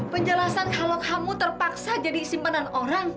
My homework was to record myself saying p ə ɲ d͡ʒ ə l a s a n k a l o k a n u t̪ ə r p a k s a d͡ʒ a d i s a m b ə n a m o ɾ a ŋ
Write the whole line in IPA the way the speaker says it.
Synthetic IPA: p ə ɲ d͡ʒ ə l a s a n k a l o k a m u t̪ ə r p a k s a d͡ʒ a d i s i m p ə n a n o ɾ a ŋ